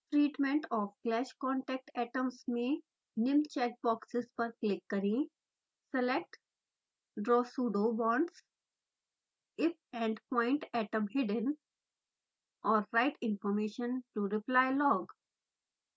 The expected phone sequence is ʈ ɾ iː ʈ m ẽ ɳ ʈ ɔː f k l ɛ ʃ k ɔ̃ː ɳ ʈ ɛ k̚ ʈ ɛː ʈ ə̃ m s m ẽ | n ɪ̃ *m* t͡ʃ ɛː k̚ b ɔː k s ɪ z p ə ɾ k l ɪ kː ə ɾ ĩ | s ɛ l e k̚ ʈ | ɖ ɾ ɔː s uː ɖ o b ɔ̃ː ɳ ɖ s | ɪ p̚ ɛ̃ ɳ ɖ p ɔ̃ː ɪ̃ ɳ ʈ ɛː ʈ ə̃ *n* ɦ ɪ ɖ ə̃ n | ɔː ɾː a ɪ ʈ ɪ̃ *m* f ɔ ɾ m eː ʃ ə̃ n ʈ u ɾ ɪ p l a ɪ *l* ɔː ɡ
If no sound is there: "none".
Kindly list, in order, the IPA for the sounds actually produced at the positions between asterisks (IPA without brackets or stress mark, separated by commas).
m, m, n, l